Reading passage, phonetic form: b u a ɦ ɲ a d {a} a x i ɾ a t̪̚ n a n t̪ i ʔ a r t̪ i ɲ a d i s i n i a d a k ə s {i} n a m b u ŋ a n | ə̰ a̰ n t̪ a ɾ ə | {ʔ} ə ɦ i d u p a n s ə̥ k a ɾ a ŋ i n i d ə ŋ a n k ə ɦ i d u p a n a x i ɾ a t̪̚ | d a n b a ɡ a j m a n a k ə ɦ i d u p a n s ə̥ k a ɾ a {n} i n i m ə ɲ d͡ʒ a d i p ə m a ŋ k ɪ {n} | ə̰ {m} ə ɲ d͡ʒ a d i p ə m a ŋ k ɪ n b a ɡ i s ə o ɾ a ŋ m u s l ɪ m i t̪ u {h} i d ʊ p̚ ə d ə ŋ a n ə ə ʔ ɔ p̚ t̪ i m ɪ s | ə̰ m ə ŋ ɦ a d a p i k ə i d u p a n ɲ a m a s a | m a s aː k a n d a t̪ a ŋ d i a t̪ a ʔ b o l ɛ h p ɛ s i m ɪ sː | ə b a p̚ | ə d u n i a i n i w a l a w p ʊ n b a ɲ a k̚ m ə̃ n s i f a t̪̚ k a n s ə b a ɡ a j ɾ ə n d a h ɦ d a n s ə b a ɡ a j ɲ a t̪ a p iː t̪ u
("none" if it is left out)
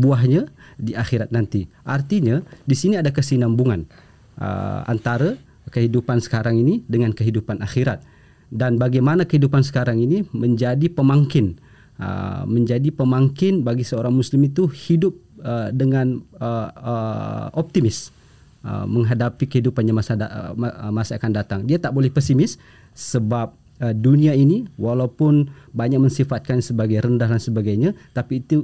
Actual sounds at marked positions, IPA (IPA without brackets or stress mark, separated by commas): i, i, k, ŋ, n, m, h